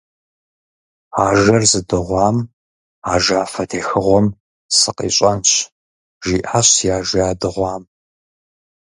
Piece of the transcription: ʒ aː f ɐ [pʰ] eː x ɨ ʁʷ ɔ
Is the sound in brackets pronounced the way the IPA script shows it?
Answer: no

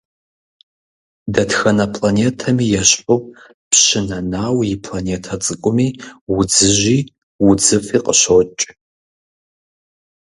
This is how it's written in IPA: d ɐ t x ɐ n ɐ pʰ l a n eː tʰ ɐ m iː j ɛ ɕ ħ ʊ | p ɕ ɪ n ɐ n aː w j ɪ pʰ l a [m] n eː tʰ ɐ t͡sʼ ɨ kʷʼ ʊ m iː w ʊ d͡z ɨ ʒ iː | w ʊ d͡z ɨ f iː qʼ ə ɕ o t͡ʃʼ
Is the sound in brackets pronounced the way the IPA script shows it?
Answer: no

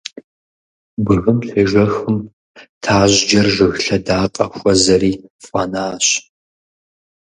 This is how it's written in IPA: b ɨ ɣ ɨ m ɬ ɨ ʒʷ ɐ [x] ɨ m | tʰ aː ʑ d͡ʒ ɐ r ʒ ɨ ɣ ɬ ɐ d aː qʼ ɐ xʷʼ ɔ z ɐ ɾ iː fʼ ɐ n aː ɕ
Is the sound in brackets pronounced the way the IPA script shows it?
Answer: yes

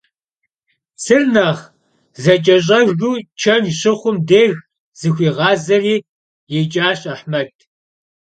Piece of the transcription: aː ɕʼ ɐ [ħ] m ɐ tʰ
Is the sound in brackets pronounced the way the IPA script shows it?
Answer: yes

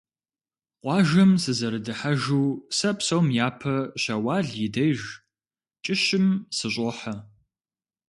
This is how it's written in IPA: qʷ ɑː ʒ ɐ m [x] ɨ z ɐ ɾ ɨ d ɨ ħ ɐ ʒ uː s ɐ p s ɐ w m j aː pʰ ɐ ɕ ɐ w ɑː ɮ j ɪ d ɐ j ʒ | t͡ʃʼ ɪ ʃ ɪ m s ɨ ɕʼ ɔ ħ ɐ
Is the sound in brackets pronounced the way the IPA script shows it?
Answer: no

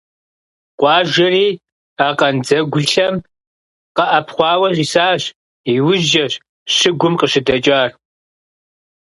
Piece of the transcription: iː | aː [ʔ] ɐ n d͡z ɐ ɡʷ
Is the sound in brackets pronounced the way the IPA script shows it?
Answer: no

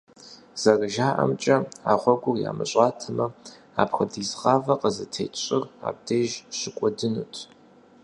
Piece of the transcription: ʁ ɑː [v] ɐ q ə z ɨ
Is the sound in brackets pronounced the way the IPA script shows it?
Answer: yes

